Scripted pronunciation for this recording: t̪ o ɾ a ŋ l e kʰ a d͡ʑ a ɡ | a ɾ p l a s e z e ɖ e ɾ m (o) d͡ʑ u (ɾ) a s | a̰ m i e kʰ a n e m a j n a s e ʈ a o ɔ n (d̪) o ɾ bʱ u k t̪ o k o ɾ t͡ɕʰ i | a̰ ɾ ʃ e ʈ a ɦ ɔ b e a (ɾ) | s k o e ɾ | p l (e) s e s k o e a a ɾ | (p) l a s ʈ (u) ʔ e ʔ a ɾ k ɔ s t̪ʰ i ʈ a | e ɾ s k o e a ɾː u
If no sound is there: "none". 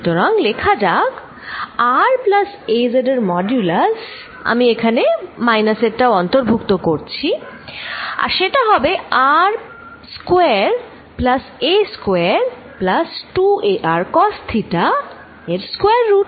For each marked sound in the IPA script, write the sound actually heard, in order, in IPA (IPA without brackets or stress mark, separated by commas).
ɔ, l, t̪, ɾ, a, p, u